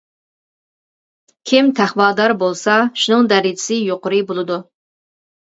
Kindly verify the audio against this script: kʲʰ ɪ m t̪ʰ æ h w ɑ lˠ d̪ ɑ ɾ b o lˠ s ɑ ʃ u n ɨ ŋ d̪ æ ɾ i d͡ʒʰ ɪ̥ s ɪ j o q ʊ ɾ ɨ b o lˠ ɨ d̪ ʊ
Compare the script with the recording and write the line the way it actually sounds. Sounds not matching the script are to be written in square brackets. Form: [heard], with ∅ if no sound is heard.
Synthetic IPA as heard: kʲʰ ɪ m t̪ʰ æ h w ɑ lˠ d̪ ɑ ɾ b o lˠ s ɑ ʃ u n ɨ ŋ d̪ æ ɾ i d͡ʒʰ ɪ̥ s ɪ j o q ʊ ɾ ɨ b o lˠ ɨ d̪ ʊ

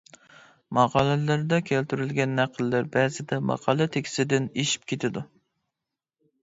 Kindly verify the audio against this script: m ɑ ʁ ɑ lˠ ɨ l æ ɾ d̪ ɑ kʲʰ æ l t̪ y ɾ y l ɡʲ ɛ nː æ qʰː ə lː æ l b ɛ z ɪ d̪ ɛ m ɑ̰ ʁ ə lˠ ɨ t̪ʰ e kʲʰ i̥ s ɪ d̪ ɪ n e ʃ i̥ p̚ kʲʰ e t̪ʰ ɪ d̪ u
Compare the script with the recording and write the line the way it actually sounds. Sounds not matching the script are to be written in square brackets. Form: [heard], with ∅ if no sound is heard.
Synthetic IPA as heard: m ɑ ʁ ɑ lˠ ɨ l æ ɾ d̪ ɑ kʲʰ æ l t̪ y ɾ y l ɡʲ ɛ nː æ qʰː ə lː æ [ɾ] b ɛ z ɪ d̪ ɛ m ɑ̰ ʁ [ɑ] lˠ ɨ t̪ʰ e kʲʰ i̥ s ɪ d̪ ɪ n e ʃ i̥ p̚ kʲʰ e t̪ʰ ɪ d̪ u

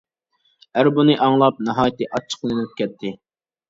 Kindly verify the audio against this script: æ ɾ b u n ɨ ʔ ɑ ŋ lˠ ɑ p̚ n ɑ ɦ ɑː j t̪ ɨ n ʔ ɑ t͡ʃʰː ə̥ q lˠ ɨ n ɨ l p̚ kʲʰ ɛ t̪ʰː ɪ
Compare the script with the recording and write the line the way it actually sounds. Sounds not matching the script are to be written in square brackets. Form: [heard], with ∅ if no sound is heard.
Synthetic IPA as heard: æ ɾ b u n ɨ ʔ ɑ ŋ lˠ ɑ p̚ n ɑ ɦ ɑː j t̪ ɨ [∅] ʔ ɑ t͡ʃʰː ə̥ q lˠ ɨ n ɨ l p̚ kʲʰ ɛ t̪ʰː ɪ

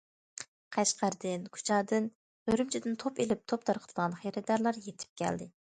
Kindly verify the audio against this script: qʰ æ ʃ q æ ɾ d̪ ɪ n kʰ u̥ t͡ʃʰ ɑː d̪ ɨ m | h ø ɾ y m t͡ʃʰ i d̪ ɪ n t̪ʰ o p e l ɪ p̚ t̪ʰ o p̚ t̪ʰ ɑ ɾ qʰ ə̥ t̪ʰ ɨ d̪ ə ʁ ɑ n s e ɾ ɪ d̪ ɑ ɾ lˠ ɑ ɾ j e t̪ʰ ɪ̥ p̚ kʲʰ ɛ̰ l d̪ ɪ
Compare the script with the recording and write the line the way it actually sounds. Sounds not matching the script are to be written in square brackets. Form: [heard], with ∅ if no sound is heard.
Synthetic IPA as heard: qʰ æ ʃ q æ ɾ d̪ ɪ n kʰ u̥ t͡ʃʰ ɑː d̪ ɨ [n] | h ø ɾ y m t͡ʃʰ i d̪ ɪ n t̪ʰ o p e l ɪ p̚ t̪ʰ o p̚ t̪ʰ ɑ ɾ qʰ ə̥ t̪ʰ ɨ d̪ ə ʁ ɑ n [χ] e ɾ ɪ d̪ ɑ ɾ lˠ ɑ ɾ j e t̪ʰ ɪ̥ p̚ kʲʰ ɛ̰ l d̪ ɪ

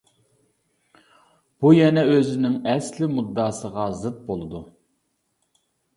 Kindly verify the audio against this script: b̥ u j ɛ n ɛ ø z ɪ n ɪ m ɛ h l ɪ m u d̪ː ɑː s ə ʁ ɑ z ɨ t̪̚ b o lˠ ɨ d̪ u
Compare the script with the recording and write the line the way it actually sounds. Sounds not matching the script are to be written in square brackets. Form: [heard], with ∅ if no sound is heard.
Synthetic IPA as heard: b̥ u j ɛ n ɛ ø z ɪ n ɪ [ŋ] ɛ [s] l ɪ m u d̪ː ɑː s ə ʁ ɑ z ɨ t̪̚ b o lˠ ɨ d̪ u

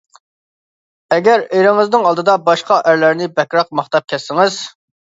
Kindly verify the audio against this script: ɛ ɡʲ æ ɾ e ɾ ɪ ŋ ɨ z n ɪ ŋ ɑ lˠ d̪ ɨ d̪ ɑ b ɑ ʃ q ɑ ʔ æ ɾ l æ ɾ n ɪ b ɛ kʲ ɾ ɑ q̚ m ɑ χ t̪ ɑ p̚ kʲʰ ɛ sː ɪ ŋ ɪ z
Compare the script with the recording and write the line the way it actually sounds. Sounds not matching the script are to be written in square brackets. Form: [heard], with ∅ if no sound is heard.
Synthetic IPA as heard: ɛ ɡʲ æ ɾ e ɾ ɪ ŋ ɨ z n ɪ ŋ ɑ lˠ d̪ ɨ d̪ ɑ b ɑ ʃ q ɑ ʔ æ ɾ l æ ɾ n ɪ b ɛ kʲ ɾ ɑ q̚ m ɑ χ t̪ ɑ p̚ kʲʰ ɛ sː ɪ ŋ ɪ z

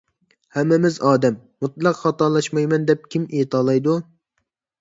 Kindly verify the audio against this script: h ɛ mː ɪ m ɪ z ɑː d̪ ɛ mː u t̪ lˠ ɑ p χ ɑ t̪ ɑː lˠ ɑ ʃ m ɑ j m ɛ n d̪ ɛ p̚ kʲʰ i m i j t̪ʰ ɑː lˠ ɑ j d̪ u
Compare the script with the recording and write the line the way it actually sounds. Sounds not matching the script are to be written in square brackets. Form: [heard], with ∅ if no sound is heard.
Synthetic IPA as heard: h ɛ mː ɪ m ɪ z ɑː d̪ ɛ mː u t̪ lˠ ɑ [q] χ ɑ t̪ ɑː lˠ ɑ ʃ m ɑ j m ɛ n d̪ ɛ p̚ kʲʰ i m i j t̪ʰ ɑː lˠ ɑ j d̪ u

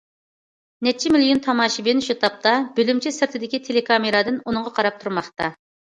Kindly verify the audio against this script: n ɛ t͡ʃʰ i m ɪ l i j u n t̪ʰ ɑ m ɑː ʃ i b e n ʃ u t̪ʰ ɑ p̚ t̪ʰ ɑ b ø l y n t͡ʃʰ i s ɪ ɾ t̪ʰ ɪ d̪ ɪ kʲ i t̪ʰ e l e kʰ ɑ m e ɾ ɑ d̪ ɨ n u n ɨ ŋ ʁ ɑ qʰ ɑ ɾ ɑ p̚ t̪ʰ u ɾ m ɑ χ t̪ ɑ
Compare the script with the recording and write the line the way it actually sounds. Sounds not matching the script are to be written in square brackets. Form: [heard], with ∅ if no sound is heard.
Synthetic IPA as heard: n ɛ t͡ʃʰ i m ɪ l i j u n t̪ʰ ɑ m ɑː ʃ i b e n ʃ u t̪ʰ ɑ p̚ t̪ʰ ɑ b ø l y [m] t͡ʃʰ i s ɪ ɾ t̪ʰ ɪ d̪ ɪ kʲ i t̪ʰ e l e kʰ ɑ m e ɾ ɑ d̪ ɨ n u n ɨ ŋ ʁ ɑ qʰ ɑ ɾ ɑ p̚ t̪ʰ u ɾ m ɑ χ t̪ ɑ

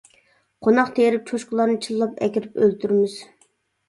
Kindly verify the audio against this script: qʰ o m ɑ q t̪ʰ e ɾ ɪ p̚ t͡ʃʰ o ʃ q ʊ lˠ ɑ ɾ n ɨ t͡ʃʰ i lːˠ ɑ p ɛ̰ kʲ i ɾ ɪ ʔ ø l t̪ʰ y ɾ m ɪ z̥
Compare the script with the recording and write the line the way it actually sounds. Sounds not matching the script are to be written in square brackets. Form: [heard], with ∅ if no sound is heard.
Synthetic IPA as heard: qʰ o [n] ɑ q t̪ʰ e ɾ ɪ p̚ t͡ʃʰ o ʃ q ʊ lˠ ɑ ɾ n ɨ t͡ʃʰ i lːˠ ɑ p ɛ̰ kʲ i ɾ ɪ [p] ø l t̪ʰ y ɾ m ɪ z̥

